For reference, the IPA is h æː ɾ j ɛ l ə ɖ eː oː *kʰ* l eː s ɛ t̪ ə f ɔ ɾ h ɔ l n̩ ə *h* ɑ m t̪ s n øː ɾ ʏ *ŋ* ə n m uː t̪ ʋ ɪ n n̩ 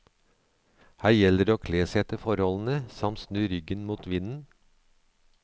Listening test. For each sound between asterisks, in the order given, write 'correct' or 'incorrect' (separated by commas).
correct, incorrect, incorrect